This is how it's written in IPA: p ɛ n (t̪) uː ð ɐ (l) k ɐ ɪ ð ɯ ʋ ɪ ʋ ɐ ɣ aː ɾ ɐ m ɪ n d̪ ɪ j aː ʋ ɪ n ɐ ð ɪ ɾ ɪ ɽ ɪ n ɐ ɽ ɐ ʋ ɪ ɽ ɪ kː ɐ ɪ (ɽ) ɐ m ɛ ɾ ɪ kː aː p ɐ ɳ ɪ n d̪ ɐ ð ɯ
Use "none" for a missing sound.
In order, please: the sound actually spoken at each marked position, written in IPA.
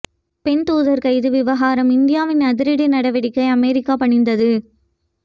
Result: t̪, ɾ, none

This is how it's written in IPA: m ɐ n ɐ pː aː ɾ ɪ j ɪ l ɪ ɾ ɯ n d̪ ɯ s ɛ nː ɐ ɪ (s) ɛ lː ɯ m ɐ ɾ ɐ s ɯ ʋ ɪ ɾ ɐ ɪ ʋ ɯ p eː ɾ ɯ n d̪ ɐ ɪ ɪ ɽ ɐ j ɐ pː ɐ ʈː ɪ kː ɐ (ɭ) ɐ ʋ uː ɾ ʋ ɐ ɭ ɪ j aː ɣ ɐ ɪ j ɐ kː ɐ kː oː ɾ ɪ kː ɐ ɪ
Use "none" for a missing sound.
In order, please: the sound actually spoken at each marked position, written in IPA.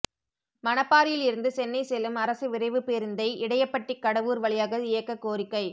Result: s, ɽ

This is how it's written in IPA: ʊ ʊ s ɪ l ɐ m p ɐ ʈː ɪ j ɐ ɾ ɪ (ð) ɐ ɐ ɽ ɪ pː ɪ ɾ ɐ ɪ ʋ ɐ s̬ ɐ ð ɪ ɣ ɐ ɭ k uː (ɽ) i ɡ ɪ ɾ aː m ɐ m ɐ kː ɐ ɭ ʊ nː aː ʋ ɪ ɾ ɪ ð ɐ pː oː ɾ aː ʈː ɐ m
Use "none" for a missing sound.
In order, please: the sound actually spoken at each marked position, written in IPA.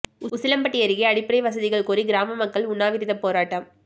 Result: ɣ, ɾ

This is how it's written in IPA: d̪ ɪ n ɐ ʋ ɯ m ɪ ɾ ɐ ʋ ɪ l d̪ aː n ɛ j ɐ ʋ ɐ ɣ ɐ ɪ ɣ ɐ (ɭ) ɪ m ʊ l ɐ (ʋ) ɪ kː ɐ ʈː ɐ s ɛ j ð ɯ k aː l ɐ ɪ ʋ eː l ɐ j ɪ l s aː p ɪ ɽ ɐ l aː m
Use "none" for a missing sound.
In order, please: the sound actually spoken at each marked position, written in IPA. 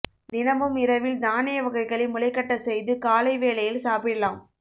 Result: ɭ, none

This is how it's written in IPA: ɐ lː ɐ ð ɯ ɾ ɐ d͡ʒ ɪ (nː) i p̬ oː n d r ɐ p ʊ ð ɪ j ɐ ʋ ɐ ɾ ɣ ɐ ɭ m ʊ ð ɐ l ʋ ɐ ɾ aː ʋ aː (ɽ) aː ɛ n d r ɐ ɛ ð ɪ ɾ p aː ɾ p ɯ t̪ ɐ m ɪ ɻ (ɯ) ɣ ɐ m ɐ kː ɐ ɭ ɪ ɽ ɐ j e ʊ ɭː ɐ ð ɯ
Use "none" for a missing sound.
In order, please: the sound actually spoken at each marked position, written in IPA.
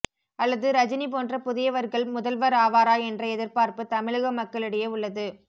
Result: n, ɾ, ɯ

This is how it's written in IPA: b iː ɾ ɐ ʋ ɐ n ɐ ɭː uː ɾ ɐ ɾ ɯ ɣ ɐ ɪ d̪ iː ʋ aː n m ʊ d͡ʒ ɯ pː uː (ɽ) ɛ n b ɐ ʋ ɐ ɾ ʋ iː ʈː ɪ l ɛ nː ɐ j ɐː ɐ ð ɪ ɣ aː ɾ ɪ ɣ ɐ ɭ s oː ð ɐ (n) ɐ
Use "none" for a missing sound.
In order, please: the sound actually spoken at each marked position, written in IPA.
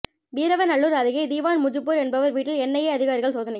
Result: ɾ, n

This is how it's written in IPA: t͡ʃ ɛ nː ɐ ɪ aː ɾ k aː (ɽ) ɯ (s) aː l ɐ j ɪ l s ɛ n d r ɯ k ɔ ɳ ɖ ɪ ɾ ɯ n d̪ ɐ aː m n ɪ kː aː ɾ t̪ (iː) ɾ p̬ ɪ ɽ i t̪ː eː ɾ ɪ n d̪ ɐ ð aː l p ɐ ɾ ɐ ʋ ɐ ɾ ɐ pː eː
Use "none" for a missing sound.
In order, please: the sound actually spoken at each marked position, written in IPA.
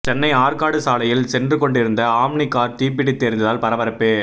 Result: ɽ, s, iː

